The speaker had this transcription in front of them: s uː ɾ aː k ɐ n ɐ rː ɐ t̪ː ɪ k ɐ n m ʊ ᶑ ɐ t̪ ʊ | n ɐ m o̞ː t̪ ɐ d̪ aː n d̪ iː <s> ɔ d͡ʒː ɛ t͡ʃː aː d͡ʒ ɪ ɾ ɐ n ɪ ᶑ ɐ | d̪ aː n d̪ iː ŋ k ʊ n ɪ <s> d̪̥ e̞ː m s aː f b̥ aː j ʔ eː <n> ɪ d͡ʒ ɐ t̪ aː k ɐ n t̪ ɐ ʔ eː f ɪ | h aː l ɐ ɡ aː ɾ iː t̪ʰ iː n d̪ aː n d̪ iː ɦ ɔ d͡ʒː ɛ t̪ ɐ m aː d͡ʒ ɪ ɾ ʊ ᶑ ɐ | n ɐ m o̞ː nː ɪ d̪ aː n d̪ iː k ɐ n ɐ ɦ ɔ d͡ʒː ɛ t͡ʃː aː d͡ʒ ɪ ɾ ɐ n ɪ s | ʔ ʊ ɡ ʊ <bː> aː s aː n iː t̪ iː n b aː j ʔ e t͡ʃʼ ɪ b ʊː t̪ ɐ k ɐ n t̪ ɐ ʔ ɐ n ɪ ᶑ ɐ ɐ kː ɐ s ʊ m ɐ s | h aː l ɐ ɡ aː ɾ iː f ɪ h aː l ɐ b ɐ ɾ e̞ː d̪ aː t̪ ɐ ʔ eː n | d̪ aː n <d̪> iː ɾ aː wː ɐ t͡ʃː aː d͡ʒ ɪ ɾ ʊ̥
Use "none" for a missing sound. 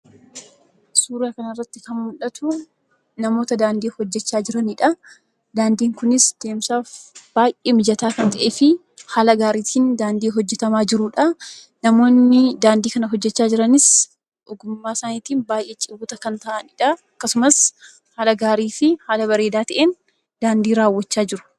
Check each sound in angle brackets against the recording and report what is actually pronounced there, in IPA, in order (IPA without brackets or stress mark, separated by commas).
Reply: h, s, m, mː, d̪